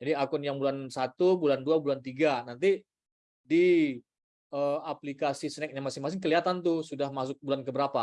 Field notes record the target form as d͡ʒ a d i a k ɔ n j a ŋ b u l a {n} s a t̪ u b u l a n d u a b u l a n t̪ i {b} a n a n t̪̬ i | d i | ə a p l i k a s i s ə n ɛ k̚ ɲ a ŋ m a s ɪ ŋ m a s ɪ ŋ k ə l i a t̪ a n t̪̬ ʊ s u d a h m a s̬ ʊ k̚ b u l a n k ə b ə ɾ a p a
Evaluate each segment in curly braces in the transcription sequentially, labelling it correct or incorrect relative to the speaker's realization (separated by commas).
correct, incorrect